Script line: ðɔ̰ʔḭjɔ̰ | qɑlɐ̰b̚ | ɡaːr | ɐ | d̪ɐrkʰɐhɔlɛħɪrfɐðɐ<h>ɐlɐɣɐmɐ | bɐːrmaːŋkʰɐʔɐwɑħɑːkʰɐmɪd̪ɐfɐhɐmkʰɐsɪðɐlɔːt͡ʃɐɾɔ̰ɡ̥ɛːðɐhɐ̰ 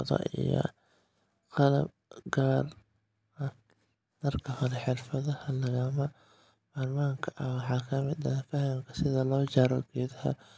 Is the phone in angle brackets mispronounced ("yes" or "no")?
no